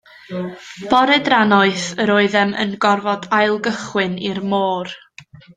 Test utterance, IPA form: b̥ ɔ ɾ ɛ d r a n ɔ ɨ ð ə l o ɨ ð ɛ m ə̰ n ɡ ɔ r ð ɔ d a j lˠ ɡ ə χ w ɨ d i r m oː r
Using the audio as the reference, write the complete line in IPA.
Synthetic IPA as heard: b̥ ɔ ɾ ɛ d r a n ɔ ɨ θ ə ɾ o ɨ ð ɛ m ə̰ n ɡ ɔ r v ɔ d a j lˠ ɡ ə χ w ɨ n i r m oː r